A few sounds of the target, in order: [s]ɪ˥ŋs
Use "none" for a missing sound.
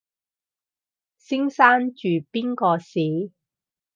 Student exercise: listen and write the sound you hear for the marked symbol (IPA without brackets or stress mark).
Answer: s